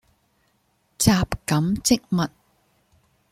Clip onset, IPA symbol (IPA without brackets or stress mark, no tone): t͡s